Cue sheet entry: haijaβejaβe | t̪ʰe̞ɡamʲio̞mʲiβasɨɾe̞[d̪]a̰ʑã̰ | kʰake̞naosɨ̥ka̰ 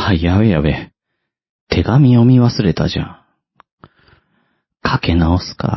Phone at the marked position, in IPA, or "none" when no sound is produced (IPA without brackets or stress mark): t̪